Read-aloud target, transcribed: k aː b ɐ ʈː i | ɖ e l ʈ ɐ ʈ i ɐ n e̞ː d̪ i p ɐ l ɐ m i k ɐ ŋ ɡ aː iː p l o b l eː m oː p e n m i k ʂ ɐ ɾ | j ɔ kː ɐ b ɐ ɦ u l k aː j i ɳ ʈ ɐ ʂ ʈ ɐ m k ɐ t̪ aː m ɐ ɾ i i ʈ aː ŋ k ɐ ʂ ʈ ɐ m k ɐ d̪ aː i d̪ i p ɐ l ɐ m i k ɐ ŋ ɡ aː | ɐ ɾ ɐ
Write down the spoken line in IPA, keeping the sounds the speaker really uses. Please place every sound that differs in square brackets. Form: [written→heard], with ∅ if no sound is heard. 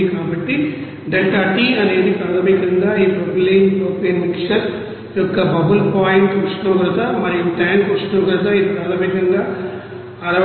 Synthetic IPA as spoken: k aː b ɐ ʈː i | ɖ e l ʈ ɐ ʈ i ɐ n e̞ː d̪ i p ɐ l ɐ m i k ɐ ŋ ɡ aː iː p [l→ɾ] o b l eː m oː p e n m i k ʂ ɐ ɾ | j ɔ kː ɐ b ɐ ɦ u l [k→p] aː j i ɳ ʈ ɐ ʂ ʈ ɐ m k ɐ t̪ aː m ɐ ɾ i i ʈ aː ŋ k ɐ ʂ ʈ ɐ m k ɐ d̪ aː i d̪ i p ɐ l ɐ m i k ɐ ŋ ɡ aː | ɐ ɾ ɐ